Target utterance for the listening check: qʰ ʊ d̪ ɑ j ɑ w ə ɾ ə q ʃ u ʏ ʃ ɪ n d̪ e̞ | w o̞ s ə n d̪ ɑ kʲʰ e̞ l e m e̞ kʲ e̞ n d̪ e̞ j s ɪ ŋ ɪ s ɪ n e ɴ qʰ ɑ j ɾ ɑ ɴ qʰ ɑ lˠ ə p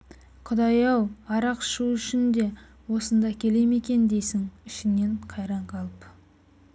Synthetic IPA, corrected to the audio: qʰ ʊ d̪ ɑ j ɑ w ɑ ɾ ɑ q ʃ u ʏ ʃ ɪ n d̪ e̞ | w o̞ s ə n d̪ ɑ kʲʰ e̞ l e m e̞ kʲ e̞ n d̪ e̞ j s ɪ ŋ ɪ ʃ ɪ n e ɴ qʰ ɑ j ɾ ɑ ɴ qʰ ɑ lˠ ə p